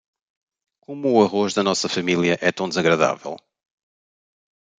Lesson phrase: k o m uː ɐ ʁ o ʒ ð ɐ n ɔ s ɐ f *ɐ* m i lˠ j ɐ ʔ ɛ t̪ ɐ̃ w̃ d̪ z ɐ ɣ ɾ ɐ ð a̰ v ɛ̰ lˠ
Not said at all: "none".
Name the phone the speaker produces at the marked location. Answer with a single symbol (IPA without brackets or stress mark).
ɐ